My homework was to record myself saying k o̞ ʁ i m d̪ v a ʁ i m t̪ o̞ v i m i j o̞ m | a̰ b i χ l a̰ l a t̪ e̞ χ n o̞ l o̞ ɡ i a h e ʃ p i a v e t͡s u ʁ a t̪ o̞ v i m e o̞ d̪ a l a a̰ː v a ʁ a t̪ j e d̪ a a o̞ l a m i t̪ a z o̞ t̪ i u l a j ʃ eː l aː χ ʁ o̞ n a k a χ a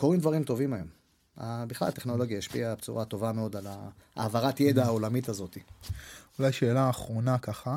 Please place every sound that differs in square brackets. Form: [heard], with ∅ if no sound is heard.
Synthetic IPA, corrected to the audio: k o̞ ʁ i m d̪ v a ʁ i m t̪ o̞ v i m [a] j o̞ m | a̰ b i χ l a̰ l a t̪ e̞ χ n o̞ l o̞ ɡ [j] a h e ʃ p i a [b] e t͡s u ʁ a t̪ o̞ v [a] m e o̞ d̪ a l a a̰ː v a ʁ a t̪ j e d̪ a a o̞ l a m i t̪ a z o̞ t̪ i u l a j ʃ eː l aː χ ʁ o̞ n a k a χ a